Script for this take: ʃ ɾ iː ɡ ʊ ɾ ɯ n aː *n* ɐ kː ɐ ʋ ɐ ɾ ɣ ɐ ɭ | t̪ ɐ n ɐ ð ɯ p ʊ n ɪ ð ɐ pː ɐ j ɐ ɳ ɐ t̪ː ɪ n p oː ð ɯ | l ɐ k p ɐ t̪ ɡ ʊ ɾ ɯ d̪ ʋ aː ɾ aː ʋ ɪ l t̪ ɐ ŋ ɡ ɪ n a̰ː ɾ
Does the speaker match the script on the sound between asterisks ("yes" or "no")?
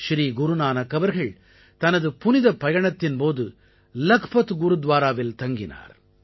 yes